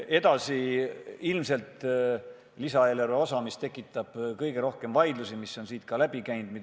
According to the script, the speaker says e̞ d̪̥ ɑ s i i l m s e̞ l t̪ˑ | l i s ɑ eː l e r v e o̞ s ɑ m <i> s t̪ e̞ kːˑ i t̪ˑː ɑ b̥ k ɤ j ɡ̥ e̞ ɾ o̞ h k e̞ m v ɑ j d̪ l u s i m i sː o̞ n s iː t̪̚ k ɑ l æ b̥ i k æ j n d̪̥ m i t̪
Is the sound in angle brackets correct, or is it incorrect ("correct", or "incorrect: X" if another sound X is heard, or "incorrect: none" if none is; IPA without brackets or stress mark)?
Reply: correct